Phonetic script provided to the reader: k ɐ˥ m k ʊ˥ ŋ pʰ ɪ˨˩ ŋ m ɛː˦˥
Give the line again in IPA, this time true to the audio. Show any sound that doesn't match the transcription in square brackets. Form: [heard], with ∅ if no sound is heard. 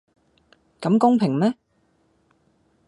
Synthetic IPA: k [ɐ˨˥] m k ʊ˥ ŋ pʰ ɪ˨˩ ŋ m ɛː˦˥